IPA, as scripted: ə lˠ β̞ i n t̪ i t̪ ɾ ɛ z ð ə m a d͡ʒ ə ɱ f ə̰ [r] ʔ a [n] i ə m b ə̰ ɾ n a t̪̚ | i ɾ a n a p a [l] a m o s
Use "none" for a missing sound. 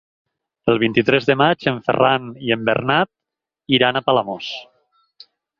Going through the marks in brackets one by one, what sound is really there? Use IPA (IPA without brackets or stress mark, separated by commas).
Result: r, n, l